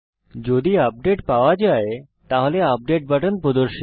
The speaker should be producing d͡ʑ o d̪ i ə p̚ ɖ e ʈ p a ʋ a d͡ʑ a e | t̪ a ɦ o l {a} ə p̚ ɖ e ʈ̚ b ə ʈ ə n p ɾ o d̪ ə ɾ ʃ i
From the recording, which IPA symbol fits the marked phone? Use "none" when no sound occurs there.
e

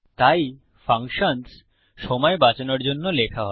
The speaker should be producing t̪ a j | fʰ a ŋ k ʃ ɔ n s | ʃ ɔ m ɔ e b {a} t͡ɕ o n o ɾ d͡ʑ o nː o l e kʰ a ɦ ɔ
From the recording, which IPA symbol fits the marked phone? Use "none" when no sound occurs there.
a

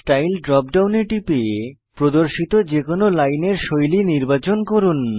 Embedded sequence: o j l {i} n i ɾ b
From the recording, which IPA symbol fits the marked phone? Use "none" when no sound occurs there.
i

